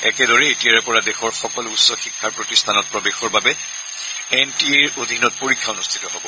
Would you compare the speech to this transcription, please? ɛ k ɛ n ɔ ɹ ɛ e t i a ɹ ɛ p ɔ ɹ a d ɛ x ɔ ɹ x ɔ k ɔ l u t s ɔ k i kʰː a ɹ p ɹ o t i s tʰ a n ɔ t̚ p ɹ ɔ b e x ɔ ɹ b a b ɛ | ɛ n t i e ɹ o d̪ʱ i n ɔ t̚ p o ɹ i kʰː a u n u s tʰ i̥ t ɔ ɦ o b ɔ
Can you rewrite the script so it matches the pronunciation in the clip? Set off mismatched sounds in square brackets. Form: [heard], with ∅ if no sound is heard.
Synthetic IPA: ɛ k ɛ [d] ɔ ɹ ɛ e t i a ɹ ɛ p ɔ ɹ a d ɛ x ɔ ɹ x ɔ k ɔ l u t s ɔ [x] i kʰː a ɹ p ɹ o t i s tʰ a n ɔ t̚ p ɹ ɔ b e x ɔ ɹ b a b ɛ | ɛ n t i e ɹ o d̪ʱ i n ɔ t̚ p o ɹ i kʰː a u n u s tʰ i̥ t ɔ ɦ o b ɔ